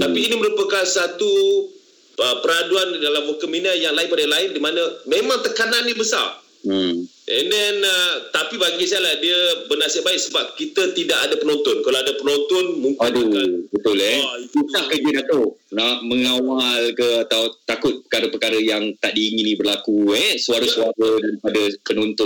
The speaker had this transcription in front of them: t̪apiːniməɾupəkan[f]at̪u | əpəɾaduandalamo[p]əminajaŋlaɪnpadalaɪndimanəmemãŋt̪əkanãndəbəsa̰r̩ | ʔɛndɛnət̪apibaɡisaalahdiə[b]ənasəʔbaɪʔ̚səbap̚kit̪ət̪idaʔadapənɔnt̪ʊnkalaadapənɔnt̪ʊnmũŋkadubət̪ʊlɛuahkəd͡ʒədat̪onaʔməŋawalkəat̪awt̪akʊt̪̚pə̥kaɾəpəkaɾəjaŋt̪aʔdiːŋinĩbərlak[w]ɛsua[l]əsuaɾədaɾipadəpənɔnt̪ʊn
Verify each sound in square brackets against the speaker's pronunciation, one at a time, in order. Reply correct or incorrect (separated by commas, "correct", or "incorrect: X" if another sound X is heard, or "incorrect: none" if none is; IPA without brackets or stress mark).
incorrect: s, incorrect: k, correct, incorrect: u, incorrect: ɾ